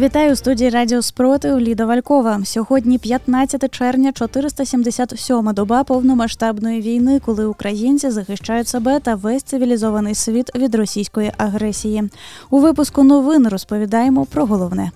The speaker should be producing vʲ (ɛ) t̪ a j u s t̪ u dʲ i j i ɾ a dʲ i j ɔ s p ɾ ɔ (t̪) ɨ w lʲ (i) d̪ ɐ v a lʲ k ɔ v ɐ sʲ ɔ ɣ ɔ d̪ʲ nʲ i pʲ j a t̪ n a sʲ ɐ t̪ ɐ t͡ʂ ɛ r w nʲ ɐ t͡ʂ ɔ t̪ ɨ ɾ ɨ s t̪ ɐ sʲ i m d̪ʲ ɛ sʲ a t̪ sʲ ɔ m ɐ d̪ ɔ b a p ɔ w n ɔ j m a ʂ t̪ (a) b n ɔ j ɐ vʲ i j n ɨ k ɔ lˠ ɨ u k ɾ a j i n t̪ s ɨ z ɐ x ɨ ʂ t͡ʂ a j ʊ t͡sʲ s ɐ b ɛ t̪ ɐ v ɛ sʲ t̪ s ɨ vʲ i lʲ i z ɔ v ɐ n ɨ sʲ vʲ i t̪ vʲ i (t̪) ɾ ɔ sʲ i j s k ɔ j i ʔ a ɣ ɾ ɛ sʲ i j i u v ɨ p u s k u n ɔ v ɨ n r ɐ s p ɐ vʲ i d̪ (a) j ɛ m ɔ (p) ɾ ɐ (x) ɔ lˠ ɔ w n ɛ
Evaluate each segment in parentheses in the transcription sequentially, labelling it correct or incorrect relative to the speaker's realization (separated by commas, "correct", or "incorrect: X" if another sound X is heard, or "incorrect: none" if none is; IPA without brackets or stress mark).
incorrect: i, correct, correct, correct, incorrect: d̪, correct, correct, incorrect: ɣ